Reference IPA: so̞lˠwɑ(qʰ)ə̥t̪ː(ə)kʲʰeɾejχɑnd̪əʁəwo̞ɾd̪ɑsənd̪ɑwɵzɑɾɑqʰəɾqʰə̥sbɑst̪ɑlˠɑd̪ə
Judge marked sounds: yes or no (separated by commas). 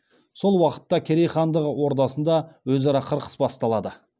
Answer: no, no